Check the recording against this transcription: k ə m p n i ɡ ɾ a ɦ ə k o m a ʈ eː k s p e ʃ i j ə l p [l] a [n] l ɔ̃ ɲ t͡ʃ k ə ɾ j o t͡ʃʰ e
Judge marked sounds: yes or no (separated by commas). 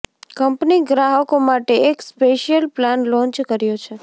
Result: yes, yes